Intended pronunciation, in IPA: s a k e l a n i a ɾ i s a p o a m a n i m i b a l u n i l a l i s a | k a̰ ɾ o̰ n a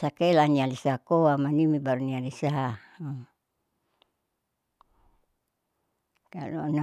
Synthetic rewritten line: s a k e l a n i a l i s a k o a m a n i m i b a ɾ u n i a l i s a | k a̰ l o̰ n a

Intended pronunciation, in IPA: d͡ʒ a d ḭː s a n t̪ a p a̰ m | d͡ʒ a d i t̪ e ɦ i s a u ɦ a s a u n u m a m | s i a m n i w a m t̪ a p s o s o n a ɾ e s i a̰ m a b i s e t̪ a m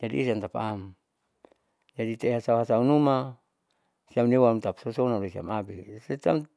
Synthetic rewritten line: d͡ʒ a d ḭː s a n t̪ a p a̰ m | d͡ʒ a d i t̪ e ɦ a s a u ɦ a s a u n u m a | s i a m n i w a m t̪ a p s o s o n a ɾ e s i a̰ m a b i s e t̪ a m

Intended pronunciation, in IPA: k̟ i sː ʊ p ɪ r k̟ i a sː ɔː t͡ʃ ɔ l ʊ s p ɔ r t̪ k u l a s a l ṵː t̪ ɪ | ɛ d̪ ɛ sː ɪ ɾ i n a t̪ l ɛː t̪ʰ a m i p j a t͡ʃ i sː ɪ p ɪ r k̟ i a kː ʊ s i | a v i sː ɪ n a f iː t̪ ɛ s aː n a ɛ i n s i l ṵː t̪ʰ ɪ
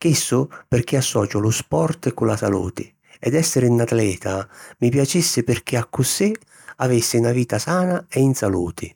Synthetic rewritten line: k̟ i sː ʊ p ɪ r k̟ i a sː ɔː t͡ʃ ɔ l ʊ s p ɔ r t̪ k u l a s a l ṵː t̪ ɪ | ɛ d̪ ɛ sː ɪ ɾ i n a t̪ l ɛː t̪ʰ a m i p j a t͡ʃ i sː ɪ p ɪ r k̟ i a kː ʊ s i | a v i sː ɪ n a v iː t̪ a s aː n a ɛ i n s a l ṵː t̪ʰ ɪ

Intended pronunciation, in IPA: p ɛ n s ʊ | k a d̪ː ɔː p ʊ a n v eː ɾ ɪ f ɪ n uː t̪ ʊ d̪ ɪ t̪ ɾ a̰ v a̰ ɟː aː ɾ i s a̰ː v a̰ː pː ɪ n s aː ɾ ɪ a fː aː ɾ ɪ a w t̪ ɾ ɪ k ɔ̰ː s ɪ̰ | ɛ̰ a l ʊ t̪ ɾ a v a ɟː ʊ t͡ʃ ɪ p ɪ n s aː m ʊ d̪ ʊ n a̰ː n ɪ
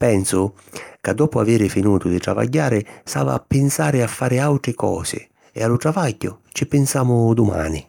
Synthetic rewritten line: p ɛ n s ʊ | k a d̪ː ɔː p ʊ a v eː ɾ ɪ f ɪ n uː t̪ ʊ d̪ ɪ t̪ ɾ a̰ v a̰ ɟː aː ɾ ɪ s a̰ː v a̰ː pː ɪ n s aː ɾ ɪ a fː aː ɾ ɪ a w t̪ ɾ ɪ k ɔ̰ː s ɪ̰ | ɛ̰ a l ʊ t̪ ɾ a v a ɟː ʊ t͡ʃ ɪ p ɪ n s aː m ʊ d̪ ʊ m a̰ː n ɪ

